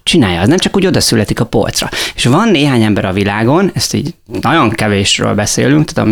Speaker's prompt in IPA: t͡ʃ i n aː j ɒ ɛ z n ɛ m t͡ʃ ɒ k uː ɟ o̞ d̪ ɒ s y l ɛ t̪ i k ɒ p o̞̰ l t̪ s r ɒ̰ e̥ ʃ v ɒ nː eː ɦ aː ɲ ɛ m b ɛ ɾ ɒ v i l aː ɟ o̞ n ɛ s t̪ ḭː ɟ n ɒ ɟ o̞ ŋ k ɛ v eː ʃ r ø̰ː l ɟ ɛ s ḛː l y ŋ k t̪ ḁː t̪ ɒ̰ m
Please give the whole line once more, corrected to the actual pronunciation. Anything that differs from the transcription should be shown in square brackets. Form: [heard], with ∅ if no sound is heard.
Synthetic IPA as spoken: t͡ʃ i n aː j ɒ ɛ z n ɛ m t͡ʃ ɒ k uː ɟ o̞ d̪ ɒ s y l ɛ t̪ i k ɒ p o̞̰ l t̪ s r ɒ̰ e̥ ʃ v ɒ nː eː ɦ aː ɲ ɛ m b ɛ ɾ ɒ v i l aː [ɡ] o̞ n ɛ s t̪ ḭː ɟ n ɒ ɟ o̞ ŋ k ɛ v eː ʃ r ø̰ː l [b] ɛ s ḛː l y ŋ k t̪ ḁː t̪ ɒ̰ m